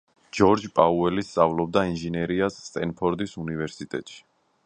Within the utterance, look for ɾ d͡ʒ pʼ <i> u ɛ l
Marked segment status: incorrect: a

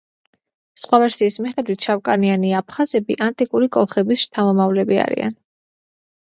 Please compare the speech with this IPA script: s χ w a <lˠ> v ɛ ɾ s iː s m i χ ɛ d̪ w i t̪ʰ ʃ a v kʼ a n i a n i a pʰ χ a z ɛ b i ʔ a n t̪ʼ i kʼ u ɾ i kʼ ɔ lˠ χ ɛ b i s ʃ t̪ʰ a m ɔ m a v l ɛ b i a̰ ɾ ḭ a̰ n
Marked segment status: incorrect: none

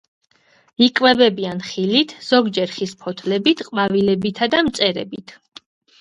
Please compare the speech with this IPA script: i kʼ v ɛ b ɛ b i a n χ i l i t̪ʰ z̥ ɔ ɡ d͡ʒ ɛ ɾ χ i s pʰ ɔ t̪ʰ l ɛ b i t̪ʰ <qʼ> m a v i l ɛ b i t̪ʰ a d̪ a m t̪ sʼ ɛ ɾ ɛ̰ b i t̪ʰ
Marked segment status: correct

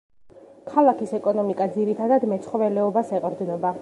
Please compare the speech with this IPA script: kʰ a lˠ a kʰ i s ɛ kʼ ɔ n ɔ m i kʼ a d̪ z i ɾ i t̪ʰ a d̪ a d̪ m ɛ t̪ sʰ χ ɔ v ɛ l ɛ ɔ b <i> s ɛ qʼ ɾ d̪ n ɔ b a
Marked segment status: incorrect: a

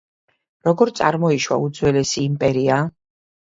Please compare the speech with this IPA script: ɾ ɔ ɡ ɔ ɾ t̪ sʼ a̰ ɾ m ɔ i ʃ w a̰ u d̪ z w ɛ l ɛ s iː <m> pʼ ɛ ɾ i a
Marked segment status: correct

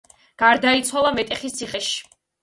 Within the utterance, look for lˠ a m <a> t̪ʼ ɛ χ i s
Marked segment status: incorrect: ɛ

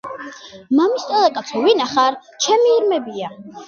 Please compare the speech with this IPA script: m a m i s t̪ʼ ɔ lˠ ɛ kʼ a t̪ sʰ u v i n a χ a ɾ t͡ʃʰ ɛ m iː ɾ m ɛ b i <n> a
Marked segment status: incorrect: none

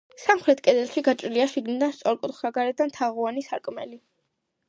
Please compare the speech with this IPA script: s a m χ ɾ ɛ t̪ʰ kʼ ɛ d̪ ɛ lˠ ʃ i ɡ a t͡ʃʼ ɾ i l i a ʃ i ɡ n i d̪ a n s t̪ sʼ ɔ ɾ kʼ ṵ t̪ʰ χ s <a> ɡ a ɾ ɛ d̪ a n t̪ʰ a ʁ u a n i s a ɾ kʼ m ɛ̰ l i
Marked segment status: correct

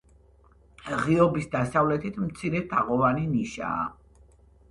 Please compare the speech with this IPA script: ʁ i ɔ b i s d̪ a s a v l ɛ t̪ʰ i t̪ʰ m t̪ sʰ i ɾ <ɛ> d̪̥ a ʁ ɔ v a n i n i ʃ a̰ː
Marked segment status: correct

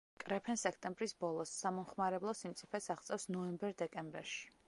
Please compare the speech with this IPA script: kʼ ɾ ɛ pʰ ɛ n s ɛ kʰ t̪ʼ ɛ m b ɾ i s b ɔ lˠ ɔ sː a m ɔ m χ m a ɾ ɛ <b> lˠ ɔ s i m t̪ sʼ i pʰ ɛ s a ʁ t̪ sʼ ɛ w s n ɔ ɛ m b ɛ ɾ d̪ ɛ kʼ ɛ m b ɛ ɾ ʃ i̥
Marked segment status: correct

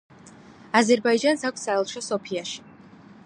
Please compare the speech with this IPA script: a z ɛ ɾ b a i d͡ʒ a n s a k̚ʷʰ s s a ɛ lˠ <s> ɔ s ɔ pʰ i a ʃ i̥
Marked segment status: incorrect: ʃ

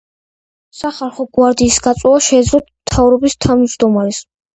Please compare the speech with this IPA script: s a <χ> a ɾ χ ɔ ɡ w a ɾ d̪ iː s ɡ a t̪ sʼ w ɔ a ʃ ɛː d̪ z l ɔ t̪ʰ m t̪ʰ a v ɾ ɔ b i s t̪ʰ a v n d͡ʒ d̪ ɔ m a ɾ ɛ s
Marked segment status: correct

